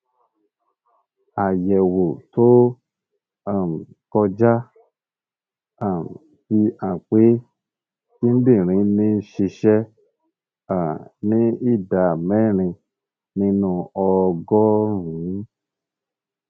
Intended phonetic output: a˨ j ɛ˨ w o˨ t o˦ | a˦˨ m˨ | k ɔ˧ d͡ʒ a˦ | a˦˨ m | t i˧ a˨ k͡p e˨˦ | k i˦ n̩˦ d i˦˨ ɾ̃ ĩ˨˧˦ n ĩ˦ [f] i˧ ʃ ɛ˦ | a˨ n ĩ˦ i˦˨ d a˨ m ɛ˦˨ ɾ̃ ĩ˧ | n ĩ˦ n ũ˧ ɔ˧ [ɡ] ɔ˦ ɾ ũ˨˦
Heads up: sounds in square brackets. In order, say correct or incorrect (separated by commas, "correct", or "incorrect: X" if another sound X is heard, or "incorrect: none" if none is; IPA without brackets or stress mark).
incorrect: ʃ, correct